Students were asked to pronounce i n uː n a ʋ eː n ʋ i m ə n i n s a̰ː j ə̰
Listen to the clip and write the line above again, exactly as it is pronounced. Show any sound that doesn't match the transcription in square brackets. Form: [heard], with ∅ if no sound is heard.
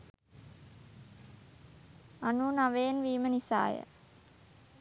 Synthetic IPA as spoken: [a] n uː n a ʋ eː n ʋ [iː] m ə n i [∅] s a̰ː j ə̰